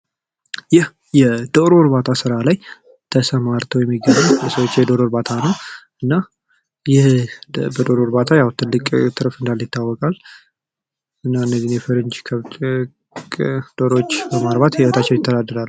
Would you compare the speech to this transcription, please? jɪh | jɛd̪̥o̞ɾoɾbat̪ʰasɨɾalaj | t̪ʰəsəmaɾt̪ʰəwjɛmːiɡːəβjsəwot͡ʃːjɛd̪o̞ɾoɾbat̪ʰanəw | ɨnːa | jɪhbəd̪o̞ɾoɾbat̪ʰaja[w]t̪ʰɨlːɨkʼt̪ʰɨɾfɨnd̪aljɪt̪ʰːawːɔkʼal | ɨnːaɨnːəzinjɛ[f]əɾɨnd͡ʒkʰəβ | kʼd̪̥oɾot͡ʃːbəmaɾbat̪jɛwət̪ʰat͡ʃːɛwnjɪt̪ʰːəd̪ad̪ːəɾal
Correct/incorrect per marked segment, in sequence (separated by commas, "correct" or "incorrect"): correct, correct